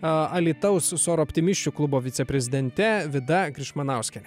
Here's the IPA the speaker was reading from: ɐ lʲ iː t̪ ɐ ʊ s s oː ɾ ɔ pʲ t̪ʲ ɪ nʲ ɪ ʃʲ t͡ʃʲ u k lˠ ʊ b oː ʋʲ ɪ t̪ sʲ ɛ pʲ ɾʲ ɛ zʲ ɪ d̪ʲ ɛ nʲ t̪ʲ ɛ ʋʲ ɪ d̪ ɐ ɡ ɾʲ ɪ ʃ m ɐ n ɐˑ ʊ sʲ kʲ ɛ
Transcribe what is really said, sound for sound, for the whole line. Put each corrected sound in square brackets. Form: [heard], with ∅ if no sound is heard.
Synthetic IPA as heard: ɐ lʲ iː t̪ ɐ ʊ s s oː ɾ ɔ pʲ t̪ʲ ɪ [mʲ] ɪ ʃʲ t͡ʃʲ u k lˠ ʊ b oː ʋʲ ɪ t̪ sʲ ɛ pʲ ɾʲ ɛ zʲ ɪ d̪ʲ ɛ nʲ t̪ʲ ɛ ʋʲ ɪ d̪ ɐ ɡ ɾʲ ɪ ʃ m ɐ n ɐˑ ʊ sʲ kʲ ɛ